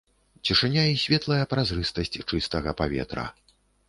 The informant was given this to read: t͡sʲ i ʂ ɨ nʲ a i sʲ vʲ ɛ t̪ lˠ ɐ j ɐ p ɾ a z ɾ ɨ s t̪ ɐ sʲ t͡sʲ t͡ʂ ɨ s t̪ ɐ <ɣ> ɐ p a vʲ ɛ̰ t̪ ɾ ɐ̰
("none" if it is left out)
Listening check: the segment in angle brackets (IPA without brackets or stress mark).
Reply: ɣ